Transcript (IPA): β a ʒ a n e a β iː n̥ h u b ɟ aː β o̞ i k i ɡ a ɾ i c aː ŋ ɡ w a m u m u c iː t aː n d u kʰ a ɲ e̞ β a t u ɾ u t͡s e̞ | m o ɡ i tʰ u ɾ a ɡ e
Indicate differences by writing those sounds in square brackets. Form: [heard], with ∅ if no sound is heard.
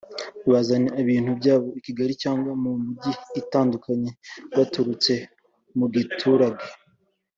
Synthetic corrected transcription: β a [z] a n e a β iː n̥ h u b ɟ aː β o̞ i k i ɡ a ɾ i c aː ŋ ɡ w a m u m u [ɟ] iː t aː n d u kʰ a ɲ e̞ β a t u ɾ u t͡s e̞ | m [u] ɡ i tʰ u ɾ a ɡ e